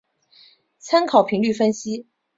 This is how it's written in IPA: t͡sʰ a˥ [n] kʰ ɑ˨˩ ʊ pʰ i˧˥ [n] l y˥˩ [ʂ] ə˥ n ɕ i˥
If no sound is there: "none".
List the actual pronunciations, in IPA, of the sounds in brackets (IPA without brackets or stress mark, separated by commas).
n, ŋ, f